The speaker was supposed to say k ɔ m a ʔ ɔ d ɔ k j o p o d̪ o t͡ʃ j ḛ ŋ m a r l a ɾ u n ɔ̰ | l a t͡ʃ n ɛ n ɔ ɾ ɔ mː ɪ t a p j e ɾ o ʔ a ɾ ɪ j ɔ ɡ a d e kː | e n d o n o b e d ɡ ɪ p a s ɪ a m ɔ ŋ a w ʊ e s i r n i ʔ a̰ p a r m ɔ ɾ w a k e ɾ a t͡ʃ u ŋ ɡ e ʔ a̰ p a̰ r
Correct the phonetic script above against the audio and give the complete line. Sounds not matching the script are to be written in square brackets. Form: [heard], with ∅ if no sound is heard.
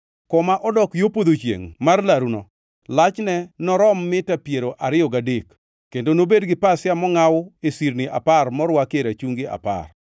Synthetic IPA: k ɔ m a ʔ ɔ d ɔ k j o p o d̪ o t͡ʃ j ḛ ŋ m a r l a ɾ u n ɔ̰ | l a t͡ʃ n ɛ n ɔ ɾ ɔ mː ɪ t a p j e ɾ o ʔ a ɾ ɪ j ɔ ɡ a d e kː | e n d o n o b e d ɡ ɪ p a s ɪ a m ɔ ŋ a w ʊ e s i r n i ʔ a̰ p a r m ɔ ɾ w a k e ɾ a t͡ʃ u ŋ ɡ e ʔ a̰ p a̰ r